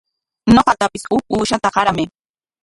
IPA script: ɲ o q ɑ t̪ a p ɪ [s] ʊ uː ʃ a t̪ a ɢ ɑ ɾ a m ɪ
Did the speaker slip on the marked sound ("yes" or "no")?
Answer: no